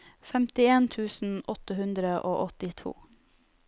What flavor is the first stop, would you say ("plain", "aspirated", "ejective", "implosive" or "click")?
plain